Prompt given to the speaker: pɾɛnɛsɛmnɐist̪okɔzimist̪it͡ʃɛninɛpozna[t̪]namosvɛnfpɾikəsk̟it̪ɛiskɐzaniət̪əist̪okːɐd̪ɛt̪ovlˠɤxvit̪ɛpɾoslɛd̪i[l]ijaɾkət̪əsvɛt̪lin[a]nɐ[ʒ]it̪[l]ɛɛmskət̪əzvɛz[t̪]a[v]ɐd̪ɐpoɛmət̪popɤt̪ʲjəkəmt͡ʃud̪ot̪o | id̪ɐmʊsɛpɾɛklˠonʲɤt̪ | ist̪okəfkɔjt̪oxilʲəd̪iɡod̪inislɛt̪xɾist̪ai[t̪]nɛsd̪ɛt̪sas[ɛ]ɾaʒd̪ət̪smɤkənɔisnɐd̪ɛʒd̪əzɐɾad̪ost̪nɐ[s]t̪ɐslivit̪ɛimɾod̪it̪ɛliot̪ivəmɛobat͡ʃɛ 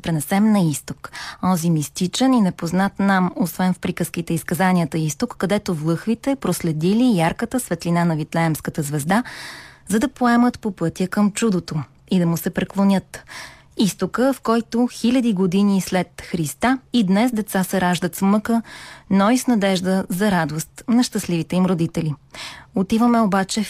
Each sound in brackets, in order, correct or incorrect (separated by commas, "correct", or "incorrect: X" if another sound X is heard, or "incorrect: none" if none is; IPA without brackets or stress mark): correct, correct, correct, incorrect: v, correct, incorrect: d̪, incorrect: z, incorrect: d̪, correct, incorrect: ʃ